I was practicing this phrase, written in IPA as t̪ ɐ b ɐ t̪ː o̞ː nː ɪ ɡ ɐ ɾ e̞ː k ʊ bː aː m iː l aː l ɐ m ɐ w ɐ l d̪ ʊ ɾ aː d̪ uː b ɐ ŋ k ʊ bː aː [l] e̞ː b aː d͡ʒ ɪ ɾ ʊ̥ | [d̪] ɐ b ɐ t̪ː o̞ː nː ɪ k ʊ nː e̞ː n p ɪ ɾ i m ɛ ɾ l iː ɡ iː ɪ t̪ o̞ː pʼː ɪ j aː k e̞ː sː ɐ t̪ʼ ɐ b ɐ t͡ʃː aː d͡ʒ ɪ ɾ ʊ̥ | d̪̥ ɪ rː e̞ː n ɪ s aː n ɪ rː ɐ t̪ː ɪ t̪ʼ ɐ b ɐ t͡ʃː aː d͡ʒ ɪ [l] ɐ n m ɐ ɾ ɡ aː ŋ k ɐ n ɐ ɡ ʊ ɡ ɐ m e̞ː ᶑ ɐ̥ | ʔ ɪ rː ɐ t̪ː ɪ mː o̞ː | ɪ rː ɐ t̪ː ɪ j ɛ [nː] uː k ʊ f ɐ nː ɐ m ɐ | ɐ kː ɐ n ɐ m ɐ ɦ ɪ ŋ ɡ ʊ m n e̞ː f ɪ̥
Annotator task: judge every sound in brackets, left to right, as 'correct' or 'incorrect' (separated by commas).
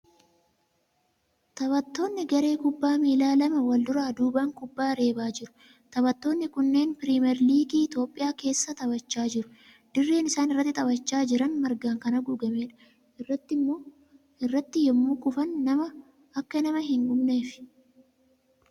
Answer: incorrect, incorrect, incorrect, incorrect